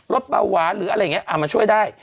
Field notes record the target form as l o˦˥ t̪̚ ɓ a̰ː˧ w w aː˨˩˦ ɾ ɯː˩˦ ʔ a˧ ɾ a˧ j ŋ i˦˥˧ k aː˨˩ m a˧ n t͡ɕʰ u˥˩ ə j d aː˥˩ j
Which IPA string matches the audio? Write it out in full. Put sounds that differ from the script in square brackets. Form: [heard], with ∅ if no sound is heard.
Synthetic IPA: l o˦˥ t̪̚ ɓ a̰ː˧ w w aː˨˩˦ ɾ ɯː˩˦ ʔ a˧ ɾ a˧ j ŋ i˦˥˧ [ʔ] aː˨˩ m a˧ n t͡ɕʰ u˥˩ ə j d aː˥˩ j